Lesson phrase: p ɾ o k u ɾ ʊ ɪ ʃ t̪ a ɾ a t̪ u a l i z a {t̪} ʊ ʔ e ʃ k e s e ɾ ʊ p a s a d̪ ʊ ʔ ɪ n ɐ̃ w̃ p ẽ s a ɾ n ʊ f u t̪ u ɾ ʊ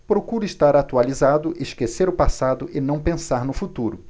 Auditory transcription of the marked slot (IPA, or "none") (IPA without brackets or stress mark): d̪